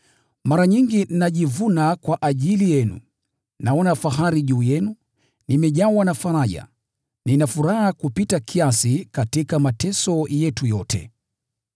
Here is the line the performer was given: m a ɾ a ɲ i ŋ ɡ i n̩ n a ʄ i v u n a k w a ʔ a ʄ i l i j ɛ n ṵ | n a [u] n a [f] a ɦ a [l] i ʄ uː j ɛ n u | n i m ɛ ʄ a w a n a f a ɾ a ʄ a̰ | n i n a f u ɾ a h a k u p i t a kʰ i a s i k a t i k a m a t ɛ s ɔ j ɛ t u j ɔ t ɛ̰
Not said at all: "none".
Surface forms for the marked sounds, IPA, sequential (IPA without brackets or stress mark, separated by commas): ɔ, f, ɾ